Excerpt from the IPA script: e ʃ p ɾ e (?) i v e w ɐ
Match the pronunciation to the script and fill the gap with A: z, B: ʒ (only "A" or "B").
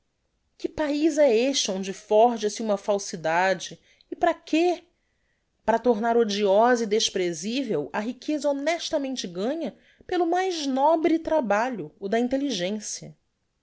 A